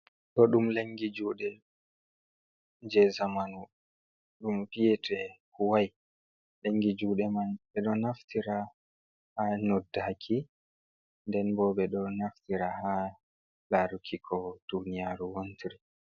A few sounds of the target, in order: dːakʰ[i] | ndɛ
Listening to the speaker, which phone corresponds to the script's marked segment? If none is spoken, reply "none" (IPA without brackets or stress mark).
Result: i